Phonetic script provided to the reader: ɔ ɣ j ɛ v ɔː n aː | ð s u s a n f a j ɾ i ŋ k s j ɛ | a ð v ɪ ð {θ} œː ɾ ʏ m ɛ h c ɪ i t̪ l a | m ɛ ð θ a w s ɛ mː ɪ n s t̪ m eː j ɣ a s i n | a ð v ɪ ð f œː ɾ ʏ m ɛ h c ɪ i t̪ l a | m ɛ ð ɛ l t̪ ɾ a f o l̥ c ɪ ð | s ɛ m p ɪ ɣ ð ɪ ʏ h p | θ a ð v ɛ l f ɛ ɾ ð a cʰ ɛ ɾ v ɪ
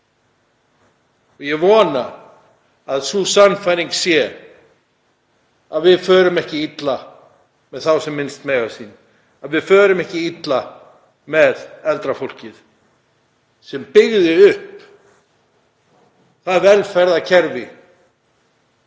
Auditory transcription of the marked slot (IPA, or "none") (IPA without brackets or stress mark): f